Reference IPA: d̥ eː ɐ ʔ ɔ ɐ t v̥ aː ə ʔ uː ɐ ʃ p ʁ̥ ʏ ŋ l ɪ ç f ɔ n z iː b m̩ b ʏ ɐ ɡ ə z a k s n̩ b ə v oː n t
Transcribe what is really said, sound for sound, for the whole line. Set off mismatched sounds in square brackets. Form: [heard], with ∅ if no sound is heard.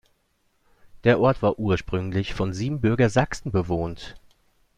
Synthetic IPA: d̥ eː ɐ ʔ ɔ ɐ t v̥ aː [ɐ] ʔ uː ɐ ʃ p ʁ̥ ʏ ŋ l ɪ ç f ɔ n z iː b m̩ b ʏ ɐ ɡ [ɐ] z a k s n̩ b ə v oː n t